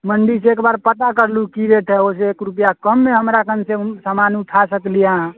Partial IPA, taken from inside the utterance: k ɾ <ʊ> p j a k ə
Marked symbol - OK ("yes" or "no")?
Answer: no